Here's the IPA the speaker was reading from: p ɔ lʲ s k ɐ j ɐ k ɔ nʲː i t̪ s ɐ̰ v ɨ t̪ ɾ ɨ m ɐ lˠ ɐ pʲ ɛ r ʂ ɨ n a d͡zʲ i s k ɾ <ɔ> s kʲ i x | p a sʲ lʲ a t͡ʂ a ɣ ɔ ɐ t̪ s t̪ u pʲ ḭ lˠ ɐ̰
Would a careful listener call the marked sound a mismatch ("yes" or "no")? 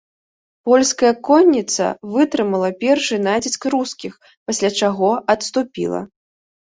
yes